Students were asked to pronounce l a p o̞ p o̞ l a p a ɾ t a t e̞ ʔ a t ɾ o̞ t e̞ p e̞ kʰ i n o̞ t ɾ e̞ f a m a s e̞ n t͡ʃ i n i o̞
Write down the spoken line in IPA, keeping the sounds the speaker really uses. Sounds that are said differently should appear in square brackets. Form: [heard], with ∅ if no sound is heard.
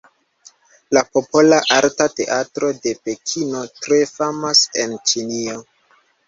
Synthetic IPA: l a p o̞ p o̞ l a [ʔ] a ɾ t a t e̞ ʔ a t ɾ o̞ [d] e̞ p e̞ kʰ i n o̞ t ɾ e̞ f a m a s e̞ n t͡ʃ i n i o̞